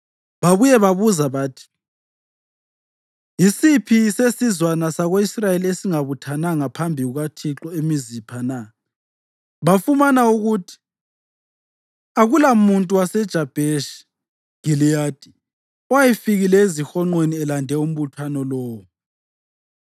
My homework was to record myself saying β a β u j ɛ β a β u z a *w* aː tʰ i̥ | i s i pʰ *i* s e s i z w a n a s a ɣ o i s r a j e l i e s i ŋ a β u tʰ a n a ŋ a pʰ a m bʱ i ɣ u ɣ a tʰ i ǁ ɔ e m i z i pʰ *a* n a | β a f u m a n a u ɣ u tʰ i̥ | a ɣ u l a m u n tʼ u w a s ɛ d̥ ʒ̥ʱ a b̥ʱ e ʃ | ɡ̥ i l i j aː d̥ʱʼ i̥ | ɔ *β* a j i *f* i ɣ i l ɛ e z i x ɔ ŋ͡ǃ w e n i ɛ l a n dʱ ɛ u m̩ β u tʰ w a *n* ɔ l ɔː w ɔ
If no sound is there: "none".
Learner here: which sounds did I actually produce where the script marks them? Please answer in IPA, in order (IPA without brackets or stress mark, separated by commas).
β, i, a, w, f, n